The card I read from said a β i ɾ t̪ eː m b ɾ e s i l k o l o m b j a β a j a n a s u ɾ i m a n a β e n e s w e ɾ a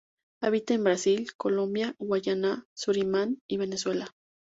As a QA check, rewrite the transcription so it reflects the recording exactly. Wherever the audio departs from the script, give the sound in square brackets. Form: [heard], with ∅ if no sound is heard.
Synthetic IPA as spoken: a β i [∅] t̪ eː m b ɾ [a] s i l k o l o m b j a [w] a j a n a s u ɾ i m a n [i] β e n e s w e [l] a